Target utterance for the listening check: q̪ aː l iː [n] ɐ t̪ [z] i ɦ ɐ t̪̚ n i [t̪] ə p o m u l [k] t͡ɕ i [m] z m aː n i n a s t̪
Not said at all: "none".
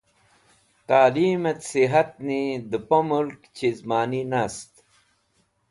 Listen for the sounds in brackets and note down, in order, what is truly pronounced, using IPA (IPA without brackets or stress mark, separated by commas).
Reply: m, s, d̪, k, none